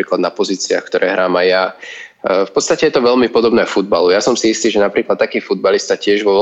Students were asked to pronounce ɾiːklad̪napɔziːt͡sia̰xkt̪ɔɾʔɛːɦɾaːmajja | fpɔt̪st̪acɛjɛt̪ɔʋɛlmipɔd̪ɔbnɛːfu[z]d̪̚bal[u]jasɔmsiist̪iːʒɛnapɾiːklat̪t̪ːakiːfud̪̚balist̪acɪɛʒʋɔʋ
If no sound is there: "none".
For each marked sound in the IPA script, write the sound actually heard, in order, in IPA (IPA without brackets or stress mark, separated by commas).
none, u